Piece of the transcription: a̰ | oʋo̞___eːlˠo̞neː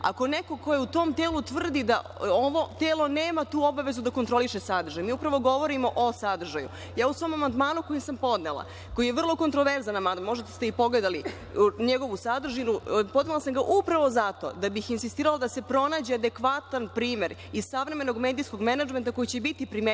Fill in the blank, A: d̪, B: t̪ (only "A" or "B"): B